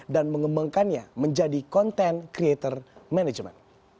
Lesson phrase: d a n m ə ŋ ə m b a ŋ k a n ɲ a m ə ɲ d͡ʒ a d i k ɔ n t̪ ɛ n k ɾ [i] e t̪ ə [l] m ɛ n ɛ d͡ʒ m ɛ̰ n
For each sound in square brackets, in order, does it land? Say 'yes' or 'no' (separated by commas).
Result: yes, no